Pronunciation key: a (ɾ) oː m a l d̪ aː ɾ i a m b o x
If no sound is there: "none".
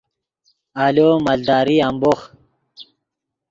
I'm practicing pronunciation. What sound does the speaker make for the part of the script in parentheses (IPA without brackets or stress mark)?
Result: l